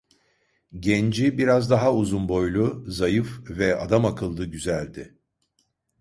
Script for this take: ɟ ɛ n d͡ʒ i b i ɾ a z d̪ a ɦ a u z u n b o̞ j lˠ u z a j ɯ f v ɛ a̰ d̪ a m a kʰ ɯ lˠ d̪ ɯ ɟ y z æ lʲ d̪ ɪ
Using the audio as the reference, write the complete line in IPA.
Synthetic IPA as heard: ɟ ɛ n d͡ʒ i b i ɾ a z d̪ a ɦ a u z u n b o̞ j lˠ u z a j ɯ f v ɛ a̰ d̪ a m a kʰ ɯ lˠ d̪ ɯ ɟ y z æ lʲ d̪ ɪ